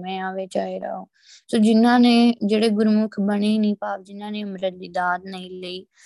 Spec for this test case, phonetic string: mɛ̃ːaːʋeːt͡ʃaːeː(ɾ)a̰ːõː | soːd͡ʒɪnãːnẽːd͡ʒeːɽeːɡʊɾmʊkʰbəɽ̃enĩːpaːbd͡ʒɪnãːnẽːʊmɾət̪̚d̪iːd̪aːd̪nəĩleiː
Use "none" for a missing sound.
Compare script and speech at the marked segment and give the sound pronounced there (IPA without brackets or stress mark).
ɾ